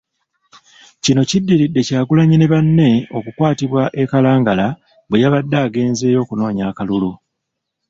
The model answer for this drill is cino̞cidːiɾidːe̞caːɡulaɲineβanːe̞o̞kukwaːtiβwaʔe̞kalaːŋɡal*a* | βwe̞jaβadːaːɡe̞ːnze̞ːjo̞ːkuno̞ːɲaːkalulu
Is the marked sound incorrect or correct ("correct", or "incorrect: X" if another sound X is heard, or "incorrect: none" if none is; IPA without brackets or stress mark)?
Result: correct